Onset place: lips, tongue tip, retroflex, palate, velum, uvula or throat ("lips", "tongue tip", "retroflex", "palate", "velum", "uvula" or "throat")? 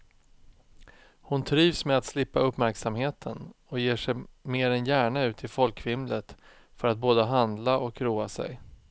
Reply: throat